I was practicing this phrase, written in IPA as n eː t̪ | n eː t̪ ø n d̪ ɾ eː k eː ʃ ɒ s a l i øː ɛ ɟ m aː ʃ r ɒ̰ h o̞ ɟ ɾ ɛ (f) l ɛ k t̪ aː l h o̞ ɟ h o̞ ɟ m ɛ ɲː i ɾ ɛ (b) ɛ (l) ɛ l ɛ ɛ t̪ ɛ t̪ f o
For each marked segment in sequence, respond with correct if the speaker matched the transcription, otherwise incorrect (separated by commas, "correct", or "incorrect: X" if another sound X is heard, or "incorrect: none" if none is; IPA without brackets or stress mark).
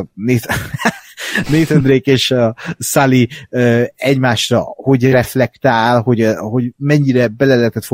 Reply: correct, correct, correct